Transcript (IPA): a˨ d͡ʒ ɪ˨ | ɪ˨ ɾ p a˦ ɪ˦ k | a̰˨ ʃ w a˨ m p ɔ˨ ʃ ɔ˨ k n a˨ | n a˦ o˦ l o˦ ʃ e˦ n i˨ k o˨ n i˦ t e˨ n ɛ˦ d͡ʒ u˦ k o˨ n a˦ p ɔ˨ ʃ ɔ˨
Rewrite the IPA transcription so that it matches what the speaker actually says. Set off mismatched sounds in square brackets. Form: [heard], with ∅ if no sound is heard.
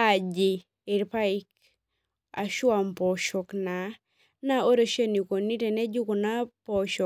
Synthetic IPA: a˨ d͡ʒ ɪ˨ | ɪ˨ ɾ p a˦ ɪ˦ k | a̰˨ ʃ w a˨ m p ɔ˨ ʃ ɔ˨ k n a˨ | n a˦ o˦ [ɾ] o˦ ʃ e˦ n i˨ k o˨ n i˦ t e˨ n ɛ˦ d͡ʒ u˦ k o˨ n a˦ p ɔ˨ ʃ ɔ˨

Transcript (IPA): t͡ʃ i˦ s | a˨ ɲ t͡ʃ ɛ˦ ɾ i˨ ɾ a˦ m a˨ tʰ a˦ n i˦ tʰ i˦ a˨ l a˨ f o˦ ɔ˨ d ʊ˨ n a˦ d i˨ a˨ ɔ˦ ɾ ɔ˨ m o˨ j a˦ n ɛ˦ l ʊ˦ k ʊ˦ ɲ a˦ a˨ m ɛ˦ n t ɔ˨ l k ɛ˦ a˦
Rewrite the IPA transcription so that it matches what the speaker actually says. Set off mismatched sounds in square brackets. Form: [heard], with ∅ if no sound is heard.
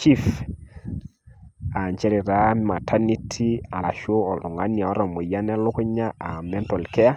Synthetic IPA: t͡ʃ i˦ [f] | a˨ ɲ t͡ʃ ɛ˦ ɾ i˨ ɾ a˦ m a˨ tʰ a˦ n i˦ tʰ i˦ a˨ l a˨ [ʃ] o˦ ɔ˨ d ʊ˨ [ŋ] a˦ [n] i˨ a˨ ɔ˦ ɾ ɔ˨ m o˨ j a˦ n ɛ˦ l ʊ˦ k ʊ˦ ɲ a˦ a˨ m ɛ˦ n t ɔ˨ l k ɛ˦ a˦

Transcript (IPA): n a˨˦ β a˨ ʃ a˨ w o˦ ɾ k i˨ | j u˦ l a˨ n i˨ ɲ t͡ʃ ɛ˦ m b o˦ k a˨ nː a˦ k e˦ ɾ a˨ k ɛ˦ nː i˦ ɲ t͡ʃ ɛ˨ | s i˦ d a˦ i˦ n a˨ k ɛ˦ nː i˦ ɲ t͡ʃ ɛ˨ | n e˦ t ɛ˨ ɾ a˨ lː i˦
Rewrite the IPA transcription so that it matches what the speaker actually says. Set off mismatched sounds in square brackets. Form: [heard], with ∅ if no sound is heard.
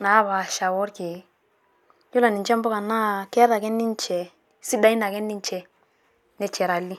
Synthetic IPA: n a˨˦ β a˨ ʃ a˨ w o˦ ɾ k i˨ | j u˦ l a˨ n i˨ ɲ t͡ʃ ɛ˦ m b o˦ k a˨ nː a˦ k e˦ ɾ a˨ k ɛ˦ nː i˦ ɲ t͡ʃ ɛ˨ | s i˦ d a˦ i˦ n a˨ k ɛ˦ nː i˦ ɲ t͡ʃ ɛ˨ | n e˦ [t͡ʃ] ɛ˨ ɾ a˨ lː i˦

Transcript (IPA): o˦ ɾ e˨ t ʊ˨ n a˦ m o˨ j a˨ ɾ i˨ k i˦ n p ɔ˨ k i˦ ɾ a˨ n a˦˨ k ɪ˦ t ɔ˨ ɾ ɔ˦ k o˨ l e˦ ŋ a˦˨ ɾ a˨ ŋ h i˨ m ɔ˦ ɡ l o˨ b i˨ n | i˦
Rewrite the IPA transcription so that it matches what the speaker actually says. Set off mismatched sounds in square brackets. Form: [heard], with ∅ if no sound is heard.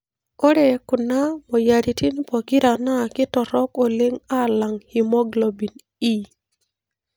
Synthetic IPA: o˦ ɾ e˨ [k] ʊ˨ n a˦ m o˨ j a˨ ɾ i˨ [t] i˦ n p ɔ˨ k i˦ ɾ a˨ n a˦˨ k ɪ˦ t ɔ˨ ɾ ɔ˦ k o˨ l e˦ ŋ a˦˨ [l] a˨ ŋ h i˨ m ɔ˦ ɡ l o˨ b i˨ n | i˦

